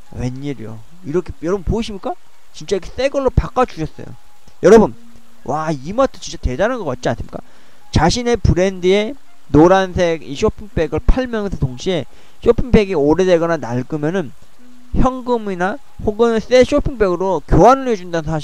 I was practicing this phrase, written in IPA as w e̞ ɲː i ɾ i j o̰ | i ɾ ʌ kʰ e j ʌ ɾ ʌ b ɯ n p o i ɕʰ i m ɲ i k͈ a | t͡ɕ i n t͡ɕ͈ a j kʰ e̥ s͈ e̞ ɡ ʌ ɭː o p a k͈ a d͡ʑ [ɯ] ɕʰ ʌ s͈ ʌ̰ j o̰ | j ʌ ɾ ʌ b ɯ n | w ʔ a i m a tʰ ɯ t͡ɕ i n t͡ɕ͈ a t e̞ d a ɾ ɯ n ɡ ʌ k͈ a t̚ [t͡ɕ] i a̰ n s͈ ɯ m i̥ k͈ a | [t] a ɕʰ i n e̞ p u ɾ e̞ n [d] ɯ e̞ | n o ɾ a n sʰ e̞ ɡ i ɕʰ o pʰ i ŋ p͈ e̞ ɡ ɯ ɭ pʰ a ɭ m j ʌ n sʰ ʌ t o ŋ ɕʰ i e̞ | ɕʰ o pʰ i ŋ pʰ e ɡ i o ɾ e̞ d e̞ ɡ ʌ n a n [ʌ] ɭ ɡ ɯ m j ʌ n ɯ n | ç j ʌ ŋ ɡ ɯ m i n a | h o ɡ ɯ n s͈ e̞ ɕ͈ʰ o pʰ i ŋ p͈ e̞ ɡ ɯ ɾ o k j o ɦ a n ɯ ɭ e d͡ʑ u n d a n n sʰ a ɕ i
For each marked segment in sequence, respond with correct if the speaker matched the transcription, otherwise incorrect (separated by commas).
incorrect, correct, incorrect, correct, incorrect